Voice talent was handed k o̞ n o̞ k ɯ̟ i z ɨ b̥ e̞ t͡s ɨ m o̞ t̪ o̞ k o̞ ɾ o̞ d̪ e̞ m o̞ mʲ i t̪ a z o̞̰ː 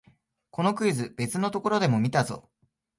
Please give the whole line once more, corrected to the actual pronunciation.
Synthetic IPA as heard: k o̞ n o̞ k ɯ̟ i z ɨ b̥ e̞ t͡s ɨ n o̞ t̪ o̞ k o̞ ɾ o̞ d̪ e̞ m o̞ mʲ i t̪ a z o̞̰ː